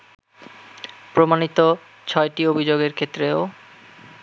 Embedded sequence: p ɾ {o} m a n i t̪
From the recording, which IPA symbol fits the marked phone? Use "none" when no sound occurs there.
o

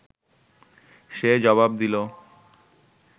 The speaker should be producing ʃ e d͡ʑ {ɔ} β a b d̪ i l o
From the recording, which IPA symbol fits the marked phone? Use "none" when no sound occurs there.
ɔ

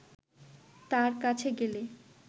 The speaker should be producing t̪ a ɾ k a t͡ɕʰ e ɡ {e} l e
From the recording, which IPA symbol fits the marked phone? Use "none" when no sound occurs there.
e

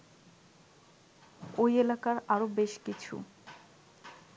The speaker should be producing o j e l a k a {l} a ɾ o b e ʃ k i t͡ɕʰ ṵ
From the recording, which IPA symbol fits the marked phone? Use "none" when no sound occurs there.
ɾ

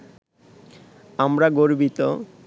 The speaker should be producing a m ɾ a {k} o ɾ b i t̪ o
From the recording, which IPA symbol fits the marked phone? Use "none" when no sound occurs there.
ɡ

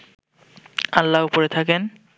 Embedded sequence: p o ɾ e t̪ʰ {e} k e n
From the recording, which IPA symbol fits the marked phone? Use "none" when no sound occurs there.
a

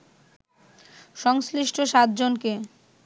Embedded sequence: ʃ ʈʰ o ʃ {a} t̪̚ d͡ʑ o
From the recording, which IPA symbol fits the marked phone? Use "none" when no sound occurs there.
a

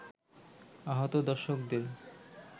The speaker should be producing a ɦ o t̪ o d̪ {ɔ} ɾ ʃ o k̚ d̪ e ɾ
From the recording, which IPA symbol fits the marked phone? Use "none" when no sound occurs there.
ɔ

